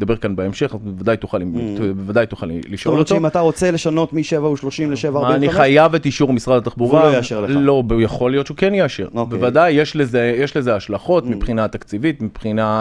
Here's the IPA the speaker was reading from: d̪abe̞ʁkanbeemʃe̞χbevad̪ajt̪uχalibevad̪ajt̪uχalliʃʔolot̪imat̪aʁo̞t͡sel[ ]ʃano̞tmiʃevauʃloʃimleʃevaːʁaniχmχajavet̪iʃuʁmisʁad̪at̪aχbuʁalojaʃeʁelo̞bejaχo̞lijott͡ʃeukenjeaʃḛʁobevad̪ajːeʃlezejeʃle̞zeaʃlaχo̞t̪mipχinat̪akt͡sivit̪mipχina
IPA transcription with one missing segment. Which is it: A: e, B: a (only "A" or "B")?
A